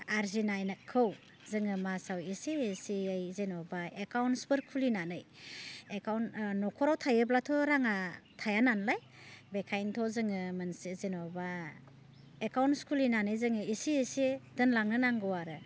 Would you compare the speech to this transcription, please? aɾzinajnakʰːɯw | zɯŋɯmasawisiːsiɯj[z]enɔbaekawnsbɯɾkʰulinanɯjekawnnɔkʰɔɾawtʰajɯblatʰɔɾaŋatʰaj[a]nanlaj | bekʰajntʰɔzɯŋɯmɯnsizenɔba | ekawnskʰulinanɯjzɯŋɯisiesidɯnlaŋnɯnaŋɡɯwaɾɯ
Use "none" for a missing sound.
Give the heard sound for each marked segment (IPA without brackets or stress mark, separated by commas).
z, a